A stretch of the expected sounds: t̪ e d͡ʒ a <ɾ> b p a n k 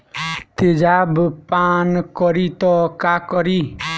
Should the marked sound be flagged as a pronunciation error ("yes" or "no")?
yes